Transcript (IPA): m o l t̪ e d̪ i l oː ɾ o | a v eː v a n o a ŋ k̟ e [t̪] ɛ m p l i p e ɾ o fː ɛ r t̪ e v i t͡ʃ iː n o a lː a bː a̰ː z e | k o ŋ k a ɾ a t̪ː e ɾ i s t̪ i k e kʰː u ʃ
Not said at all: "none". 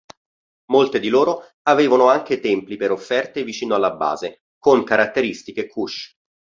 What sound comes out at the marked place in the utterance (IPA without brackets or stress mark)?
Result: t̪